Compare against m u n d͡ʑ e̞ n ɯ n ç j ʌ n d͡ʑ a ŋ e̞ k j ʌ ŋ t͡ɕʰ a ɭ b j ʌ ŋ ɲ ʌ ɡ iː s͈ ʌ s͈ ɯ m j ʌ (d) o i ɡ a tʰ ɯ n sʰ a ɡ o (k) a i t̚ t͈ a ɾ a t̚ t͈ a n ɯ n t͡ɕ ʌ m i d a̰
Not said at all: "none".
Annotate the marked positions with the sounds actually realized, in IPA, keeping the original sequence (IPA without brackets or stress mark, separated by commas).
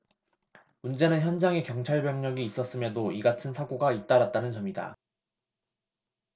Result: d, ɡ